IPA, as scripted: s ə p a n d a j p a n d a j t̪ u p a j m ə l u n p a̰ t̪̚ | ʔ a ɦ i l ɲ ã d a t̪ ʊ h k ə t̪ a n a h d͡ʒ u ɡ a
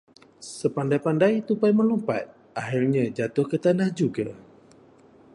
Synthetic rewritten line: s ə p a n d a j p a n d a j t̪ u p a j m ə l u m p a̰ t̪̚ | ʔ a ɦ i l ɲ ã d͡ʒ a t̪ ʊ h k ə t̪ a n a h d͡ʒ u ɡ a